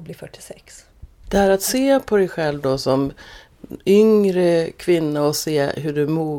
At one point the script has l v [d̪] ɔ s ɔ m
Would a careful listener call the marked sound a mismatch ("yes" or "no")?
no